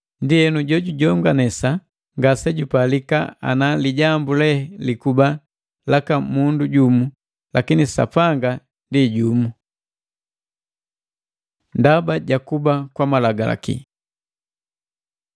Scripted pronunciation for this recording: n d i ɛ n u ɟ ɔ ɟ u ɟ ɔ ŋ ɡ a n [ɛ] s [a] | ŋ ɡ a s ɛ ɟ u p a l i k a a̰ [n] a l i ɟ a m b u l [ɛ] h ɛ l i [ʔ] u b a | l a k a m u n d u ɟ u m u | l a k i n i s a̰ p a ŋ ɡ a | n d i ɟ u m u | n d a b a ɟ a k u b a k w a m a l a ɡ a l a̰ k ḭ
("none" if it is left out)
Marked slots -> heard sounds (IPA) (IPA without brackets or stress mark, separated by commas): ɛ, a, n, ɛ, k